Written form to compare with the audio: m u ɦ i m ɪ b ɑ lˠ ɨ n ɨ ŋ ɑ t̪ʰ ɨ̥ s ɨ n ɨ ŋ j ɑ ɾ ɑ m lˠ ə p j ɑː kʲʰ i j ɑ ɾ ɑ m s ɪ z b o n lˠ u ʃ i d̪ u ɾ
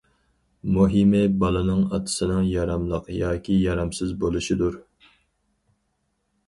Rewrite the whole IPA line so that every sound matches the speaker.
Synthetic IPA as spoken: m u ɦ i m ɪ b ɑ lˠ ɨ n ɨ ŋ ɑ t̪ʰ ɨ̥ s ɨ n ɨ ŋ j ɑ ɾ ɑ m lˠ ə q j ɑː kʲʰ i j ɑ ɾ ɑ m s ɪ z b o lˠ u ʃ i d̪ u ɾ